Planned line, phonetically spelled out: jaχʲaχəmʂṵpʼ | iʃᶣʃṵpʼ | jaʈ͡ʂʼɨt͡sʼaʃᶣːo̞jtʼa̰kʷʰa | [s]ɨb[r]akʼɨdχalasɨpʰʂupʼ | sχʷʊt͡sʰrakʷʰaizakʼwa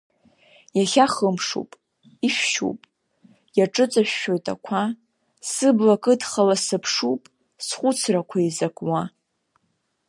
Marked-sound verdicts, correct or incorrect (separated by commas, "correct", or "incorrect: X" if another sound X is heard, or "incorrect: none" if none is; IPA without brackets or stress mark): correct, incorrect: l